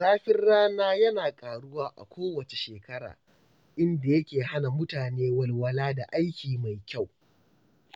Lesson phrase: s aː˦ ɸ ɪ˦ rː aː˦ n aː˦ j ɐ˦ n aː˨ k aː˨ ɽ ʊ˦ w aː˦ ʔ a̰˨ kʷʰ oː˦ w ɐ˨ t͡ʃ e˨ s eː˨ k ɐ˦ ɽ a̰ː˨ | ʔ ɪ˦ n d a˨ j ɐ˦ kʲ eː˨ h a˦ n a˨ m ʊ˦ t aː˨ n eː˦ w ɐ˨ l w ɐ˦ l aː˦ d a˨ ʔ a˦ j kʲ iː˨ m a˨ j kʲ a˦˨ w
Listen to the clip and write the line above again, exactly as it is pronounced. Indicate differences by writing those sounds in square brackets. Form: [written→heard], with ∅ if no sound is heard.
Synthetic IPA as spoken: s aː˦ ɸ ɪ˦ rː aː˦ n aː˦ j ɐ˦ n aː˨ [k→kʼ] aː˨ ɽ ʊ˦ w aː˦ ʔ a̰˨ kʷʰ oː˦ w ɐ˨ t͡ʃ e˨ [s→ʃ] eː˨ k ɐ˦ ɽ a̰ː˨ | ʔ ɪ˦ n d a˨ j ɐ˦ kʲ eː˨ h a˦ n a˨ m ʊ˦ t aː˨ n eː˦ w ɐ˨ l w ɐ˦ l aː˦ d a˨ ʔ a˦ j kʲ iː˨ m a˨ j kʲ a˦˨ w